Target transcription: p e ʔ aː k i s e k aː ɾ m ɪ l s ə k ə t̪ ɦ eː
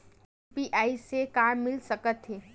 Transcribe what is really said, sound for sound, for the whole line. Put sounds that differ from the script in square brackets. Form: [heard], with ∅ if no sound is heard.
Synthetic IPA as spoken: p [i] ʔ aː [∅] i s e k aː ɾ m ɪ l s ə k ə t̪ ɦ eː